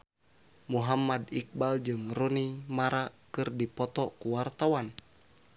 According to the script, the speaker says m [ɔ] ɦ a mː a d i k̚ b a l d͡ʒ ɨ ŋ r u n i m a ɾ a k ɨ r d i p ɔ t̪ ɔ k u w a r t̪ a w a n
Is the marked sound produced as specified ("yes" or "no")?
no